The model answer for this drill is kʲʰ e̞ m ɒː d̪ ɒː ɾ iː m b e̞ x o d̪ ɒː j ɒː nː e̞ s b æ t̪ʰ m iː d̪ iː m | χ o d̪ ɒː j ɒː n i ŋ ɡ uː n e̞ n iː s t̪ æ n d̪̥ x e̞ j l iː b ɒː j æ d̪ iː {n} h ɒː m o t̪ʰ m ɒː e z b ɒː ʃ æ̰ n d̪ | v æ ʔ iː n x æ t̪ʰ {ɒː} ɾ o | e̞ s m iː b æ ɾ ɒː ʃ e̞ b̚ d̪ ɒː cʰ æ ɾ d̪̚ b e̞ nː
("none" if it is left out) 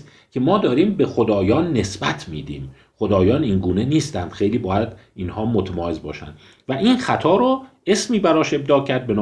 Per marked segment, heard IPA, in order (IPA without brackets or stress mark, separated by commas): n, ɒː